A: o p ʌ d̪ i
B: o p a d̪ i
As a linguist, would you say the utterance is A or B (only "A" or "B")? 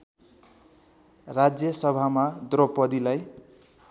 A